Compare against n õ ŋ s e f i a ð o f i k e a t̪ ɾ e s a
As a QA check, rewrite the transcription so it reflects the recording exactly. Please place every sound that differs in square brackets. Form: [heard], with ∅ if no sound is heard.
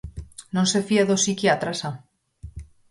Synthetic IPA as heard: n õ [n] s e f i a ð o [s] i k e a t̪ ɾ [a] s a